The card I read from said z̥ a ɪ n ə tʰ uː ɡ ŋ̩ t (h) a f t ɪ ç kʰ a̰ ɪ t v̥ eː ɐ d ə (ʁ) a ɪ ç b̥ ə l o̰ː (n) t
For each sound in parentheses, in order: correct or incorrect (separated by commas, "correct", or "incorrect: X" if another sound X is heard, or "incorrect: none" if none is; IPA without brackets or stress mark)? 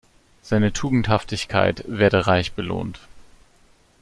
correct, correct, correct